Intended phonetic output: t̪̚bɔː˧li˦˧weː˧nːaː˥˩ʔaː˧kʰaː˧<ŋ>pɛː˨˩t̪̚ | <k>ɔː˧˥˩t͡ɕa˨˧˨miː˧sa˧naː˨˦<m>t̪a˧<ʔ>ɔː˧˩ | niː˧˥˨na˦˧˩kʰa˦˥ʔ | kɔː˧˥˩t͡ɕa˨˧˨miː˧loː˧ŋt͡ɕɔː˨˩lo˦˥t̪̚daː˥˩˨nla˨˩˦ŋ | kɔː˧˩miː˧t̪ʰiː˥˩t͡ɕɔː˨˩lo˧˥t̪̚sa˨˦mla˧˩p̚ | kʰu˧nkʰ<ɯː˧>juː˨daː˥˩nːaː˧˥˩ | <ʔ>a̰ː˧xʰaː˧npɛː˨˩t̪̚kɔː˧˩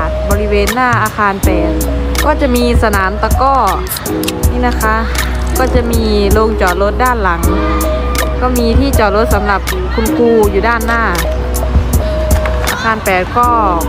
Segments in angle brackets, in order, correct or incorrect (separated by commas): incorrect, correct, correct, incorrect, incorrect, correct